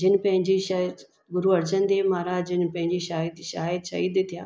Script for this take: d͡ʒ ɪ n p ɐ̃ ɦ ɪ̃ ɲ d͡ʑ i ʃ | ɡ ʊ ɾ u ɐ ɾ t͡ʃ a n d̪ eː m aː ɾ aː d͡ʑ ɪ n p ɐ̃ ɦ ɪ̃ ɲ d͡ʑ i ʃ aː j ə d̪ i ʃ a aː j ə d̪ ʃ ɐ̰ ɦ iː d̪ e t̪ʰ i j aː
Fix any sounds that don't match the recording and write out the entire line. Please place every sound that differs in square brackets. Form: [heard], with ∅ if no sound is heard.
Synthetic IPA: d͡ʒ ɪ n p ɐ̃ ɦ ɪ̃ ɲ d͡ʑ i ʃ | ɡ ʊ ɾ u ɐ ɾ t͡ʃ [ə] n d̪ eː m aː ɾ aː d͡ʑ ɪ n p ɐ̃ ɦ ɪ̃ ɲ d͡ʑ i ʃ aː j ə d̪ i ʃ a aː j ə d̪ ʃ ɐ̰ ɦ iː d̪ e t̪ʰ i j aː